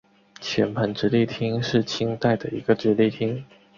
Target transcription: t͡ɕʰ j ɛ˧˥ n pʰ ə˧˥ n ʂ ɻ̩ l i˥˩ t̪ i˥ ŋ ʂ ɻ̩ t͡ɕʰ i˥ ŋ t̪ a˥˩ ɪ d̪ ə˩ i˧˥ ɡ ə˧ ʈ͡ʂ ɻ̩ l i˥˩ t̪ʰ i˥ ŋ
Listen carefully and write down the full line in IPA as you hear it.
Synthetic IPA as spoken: t͡ɕʰ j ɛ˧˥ n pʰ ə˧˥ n ʈ͡ʂ ɻ̩ l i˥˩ t̪ʰ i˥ ŋ ʂ ɻ̩ t͡ɕʰ i˥ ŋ t̪ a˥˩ ɪ d̪ ə˩ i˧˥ ɡ ə˧ ʈ͡ʂ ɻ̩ l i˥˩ t̪ʰ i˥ ŋ